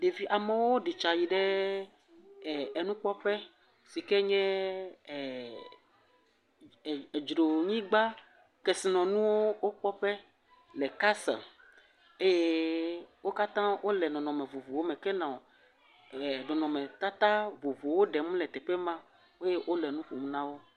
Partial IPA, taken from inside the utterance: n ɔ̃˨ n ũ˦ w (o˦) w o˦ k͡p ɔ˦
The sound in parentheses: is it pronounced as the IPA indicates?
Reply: yes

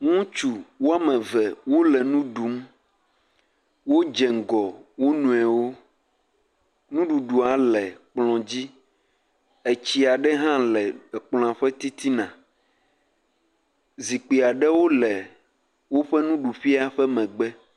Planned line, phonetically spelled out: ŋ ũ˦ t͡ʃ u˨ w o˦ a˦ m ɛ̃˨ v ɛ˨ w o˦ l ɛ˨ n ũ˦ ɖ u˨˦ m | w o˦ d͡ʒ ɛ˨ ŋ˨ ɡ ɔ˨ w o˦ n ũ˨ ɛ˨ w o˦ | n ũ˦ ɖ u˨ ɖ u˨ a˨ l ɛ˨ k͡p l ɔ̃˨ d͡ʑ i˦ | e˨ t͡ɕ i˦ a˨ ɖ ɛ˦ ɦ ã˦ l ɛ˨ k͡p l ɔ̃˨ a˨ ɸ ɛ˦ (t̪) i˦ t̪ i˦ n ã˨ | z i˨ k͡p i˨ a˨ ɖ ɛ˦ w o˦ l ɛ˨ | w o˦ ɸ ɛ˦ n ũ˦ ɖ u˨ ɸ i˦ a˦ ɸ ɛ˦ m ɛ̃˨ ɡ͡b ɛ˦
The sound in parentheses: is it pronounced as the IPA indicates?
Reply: yes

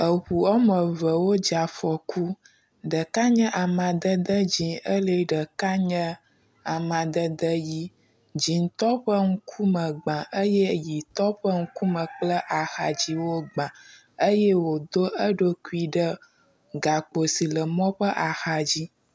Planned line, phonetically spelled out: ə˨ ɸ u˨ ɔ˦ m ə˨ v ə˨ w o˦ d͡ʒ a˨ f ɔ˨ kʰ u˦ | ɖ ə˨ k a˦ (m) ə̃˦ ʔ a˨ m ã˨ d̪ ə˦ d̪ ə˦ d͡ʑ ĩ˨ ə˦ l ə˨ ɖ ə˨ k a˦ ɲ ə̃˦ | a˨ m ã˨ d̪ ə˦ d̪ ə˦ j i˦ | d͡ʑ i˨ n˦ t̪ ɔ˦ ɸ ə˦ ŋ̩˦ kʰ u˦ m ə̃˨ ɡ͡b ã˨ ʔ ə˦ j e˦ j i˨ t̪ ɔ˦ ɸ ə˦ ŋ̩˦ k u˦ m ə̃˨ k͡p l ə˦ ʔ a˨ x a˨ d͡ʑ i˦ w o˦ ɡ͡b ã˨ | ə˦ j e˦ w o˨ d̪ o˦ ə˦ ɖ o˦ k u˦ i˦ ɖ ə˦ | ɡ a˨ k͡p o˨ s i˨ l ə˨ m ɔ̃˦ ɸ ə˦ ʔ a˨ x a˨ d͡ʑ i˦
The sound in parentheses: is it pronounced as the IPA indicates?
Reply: no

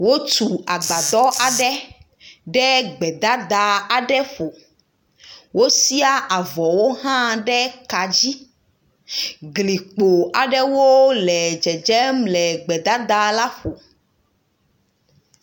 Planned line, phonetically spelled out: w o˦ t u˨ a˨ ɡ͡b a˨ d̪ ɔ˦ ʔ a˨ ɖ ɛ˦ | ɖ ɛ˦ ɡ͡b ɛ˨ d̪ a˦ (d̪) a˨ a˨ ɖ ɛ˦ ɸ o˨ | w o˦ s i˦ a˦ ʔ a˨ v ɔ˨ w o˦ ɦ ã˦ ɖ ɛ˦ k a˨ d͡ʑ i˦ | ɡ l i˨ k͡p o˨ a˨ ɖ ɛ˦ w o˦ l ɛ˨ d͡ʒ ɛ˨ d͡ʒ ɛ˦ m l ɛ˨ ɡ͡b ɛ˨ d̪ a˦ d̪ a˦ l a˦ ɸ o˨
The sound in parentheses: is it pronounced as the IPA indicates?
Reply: yes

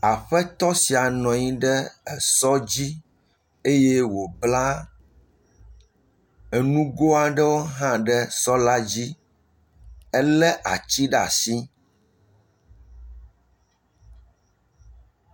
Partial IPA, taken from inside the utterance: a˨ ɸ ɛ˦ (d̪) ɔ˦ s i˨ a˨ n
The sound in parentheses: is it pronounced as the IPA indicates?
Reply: no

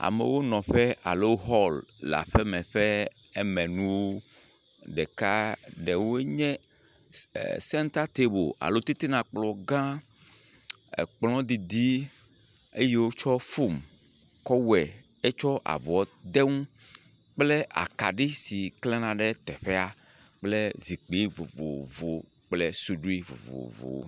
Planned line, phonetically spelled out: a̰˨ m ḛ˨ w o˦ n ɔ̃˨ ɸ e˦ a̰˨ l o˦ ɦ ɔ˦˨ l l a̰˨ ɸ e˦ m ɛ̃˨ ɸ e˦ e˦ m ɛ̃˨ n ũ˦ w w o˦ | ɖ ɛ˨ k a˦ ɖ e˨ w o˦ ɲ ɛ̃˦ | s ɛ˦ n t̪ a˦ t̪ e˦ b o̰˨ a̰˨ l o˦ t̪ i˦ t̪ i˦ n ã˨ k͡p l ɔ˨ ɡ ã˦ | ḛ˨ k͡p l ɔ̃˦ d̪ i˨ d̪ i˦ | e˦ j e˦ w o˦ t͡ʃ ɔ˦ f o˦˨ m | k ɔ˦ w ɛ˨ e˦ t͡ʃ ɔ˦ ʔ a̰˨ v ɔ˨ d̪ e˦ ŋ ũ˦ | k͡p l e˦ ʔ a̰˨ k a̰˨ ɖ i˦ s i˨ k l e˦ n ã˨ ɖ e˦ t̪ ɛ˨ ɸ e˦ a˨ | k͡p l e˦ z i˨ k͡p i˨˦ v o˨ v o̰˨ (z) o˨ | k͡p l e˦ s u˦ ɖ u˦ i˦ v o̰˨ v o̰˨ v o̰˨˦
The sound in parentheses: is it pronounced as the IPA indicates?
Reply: no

